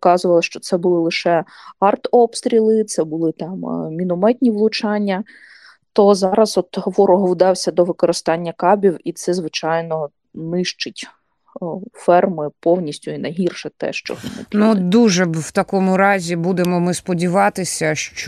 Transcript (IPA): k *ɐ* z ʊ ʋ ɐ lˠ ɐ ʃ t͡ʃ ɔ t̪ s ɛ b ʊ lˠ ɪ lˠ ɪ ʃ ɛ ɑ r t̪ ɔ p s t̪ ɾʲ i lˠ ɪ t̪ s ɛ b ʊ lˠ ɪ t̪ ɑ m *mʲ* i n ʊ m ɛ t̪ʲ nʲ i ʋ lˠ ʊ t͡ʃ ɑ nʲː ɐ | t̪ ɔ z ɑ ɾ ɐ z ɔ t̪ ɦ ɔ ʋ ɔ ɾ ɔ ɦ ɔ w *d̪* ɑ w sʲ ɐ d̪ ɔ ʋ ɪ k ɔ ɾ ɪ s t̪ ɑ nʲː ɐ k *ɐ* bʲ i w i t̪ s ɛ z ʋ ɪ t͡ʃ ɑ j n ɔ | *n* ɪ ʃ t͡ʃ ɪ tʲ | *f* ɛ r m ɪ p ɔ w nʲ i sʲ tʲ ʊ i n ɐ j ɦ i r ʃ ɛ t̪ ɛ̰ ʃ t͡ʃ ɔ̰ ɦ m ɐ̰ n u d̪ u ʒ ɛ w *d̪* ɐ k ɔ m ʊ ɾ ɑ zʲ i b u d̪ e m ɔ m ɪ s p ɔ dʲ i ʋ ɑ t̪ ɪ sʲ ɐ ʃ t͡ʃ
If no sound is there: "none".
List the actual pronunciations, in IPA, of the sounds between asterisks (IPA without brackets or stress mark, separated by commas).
ɑ, mʲ, d̪, ɑ, n, f, t̪